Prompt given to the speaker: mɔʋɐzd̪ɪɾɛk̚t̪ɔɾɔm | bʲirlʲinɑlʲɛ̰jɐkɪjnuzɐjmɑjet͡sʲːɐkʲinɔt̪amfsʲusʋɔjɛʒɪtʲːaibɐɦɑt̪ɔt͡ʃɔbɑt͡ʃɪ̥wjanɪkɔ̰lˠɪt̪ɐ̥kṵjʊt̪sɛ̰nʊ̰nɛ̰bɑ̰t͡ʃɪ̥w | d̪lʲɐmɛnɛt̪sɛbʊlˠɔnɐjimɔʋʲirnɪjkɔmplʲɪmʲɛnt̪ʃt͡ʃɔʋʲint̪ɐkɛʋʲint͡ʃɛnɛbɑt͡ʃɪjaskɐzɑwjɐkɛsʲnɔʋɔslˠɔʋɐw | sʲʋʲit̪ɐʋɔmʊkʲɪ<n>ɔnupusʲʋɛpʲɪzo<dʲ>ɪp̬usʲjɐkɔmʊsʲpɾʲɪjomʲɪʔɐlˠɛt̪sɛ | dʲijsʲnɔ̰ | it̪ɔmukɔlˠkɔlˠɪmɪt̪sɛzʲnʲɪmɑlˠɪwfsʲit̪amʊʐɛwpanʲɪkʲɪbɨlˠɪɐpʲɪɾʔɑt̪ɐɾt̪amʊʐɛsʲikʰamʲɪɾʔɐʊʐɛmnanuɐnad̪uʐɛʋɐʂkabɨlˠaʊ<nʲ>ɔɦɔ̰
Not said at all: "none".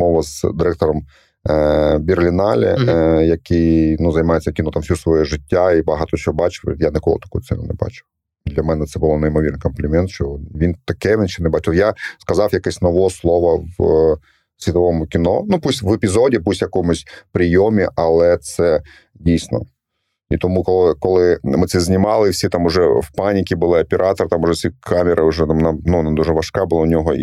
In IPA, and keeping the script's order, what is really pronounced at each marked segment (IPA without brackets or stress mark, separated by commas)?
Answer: n, dʲ, nʲ